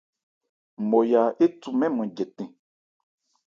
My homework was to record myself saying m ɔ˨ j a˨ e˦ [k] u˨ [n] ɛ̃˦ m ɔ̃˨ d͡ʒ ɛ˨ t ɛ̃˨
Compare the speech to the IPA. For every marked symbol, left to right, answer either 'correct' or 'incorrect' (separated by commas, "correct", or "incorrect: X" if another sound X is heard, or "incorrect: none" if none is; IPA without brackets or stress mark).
incorrect: t, incorrect: m